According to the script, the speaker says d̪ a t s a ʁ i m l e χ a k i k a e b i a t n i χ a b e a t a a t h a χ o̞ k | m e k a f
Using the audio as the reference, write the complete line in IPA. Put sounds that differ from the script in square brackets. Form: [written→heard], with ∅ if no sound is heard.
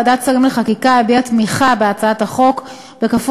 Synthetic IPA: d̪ a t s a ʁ i m l e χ a k i k a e b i a t [n→m] i χ a b e a [t→t͡s] a a t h a χ o̞ k | [m→b] e k a f

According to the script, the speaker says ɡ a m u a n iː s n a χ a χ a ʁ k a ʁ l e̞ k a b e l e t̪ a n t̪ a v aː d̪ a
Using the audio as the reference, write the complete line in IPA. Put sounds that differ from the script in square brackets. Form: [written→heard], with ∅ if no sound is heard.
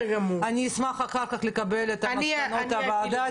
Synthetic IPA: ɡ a m u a n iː s [n→m] a χ a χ a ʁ k a [ʁ→χ] l e̞ k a b e l e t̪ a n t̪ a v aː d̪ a

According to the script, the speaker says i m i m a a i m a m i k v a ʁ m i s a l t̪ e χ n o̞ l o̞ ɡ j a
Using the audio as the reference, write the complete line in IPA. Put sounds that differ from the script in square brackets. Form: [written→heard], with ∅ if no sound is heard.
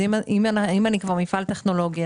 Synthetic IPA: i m i m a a i m a [m→n] i k v a ʁ m i [s→f] a l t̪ e χ n o̞ l o̞ ɡ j a

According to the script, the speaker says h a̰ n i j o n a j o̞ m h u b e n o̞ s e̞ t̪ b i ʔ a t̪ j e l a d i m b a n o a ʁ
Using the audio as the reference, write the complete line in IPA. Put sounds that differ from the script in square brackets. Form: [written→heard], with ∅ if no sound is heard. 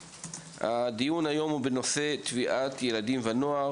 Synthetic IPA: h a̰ [n→d] i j [o→u] n a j o̞ m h u b e n o̞ s e̞ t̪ [b→v] i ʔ a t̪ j e l a d i m [b→v] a n o a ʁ

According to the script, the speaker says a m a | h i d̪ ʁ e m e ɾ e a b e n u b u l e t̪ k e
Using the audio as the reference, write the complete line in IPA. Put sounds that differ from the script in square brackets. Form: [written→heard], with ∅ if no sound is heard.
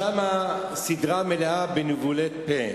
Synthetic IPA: a m a | [h→s] i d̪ ʁ [e→a] m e [ɾ→l] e a b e n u [b→v] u l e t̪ [k→p] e

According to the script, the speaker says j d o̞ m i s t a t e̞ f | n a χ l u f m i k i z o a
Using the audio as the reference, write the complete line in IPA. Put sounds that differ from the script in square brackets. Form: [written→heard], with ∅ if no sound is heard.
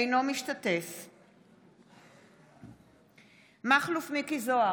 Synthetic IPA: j [d→n] o̞ m i [s→ʃ] t a t e̞ f | [n→m] a χ l u f m i k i z o a

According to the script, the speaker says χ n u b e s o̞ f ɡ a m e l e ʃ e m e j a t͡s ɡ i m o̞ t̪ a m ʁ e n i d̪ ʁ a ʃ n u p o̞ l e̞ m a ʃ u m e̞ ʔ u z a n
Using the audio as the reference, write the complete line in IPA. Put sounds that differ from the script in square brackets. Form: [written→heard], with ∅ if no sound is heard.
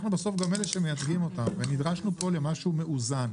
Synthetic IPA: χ n u b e s o̞ f ɡ a m e l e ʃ e m e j a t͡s ɡ i m o̞ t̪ a m [ʁ→v] e n i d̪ ʁ a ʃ n u p o̞ l e̞ m a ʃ u m e̞ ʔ u z a n

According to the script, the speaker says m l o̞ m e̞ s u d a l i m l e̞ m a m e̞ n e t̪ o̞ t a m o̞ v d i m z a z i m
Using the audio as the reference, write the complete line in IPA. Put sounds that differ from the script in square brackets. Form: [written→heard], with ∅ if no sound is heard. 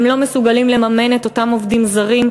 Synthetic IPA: m l o̞ m e̞ s u [d→ɡ] a l i m l e̞ m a m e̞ n e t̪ o̞ t a m o̞ v d i m z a [z→ʁ] i m

